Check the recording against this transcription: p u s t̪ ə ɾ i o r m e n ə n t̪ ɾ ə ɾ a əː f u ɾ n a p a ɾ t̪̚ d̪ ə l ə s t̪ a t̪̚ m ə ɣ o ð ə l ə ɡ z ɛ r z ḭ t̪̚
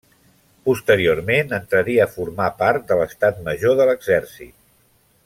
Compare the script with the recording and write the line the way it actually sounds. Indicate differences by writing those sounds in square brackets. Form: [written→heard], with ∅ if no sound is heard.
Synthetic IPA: p u s t̪ ə ɾ i o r m e n ə n t̪ ɾ ə ɾ [a→i] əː f u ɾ [n→m] a p a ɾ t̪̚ d̪ ə l ə s t̪ a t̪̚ m ə [ɣ→ʒ] o ð ə l ə ɡ z ɛ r [z→s] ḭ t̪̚